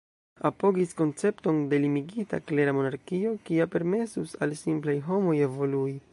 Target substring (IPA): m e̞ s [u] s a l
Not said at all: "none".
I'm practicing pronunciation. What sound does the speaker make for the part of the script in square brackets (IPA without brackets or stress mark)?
u